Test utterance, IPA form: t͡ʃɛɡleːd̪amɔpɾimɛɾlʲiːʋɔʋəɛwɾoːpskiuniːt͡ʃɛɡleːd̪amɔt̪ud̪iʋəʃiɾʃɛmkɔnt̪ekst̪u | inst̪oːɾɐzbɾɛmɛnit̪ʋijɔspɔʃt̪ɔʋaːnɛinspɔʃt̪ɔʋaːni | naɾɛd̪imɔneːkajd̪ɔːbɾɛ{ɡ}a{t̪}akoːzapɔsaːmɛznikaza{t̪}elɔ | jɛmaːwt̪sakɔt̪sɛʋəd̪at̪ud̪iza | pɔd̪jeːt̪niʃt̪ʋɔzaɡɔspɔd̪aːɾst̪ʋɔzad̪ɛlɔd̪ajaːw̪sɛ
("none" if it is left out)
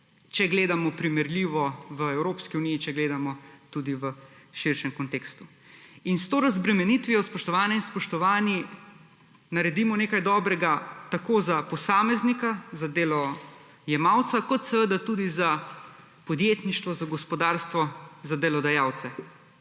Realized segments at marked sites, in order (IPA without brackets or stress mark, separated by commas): ɡ, t̪, d̪